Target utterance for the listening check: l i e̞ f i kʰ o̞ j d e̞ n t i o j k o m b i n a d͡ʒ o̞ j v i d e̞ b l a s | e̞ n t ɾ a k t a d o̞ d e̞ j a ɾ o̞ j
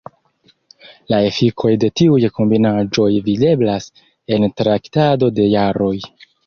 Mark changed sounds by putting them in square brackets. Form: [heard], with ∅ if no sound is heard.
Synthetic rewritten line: l [a] e̞ f i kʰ o̞ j d e̞ [∅] t i [u] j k o m b i n a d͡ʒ o̞ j v i d e̞ b l a s | e̞ n t ɾ a k t a d o̞ d e̞ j a ɾ o̞ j